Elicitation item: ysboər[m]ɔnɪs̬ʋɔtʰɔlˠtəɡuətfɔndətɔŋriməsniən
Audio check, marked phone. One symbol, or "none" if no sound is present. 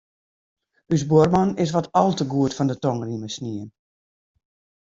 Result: m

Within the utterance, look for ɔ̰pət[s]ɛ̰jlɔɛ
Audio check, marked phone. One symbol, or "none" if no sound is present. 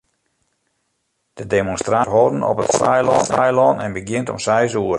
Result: s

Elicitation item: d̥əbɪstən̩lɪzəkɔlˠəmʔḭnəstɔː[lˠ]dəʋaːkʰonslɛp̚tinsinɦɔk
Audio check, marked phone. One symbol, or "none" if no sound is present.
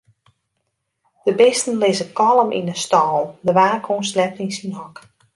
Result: lˠ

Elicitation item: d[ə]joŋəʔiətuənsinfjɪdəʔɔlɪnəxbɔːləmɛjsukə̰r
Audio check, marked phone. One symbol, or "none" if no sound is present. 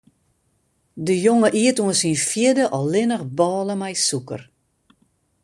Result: ə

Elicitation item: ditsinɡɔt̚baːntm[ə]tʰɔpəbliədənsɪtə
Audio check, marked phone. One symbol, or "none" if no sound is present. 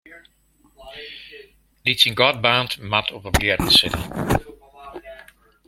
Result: a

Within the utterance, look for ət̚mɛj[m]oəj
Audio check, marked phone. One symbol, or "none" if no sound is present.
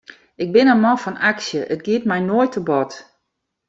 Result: n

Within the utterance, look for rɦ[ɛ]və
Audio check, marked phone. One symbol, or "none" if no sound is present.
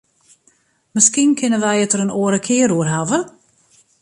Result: a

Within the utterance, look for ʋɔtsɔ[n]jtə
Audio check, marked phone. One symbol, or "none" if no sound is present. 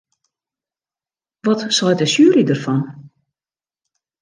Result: none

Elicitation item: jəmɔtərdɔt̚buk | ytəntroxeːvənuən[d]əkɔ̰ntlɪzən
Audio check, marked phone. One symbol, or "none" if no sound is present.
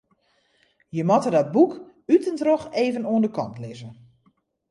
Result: d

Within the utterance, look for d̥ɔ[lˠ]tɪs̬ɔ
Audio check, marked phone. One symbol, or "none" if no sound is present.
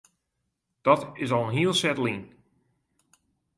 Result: none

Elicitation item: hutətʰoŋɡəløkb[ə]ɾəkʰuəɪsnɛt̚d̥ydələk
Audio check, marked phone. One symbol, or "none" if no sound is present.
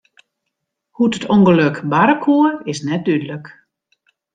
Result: a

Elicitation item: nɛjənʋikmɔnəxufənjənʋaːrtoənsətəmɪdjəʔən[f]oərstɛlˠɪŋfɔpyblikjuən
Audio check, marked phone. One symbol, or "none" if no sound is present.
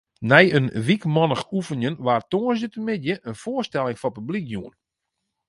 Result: f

